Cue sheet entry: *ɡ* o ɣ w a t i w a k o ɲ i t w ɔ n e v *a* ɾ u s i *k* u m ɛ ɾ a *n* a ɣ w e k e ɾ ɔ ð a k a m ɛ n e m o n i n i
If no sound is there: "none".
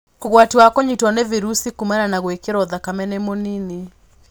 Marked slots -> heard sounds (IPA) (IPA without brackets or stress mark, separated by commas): k, i, k, n